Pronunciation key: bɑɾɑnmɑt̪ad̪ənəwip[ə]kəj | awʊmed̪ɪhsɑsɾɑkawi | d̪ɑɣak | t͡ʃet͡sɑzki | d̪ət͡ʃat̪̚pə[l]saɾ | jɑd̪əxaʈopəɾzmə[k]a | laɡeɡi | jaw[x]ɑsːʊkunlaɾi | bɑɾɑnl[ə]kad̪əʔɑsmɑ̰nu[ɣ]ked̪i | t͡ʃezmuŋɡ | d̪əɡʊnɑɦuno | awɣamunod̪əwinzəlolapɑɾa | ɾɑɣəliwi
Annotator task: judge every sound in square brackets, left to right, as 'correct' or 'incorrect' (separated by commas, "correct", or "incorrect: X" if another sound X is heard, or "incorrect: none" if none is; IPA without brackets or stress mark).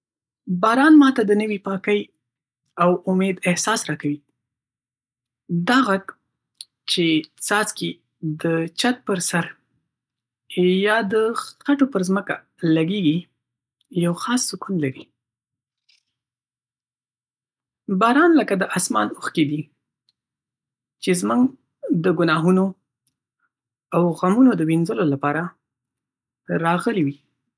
incorrect: ɑ, incorrect: ɾ, correct, correct, correct, incorrect: x